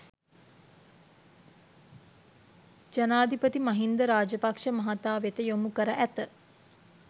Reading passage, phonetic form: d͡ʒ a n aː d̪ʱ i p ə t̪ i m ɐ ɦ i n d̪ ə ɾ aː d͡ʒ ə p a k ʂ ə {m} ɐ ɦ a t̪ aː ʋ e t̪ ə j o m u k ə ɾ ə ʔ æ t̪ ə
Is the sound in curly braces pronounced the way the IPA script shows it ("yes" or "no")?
yes